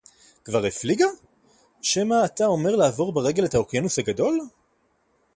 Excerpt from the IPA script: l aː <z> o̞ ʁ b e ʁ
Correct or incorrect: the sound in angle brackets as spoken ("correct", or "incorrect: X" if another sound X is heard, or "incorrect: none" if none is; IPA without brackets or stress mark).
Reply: incorrect: v